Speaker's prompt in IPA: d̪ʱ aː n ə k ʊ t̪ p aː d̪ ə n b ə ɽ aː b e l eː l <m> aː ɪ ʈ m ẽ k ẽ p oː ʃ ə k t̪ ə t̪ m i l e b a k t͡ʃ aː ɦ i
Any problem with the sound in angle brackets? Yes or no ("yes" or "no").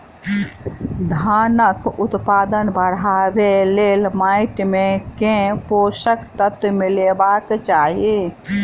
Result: no